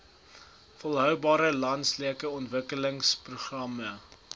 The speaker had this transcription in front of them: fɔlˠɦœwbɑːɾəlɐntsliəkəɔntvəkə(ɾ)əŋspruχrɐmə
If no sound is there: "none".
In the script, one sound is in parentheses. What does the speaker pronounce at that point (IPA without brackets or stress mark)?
l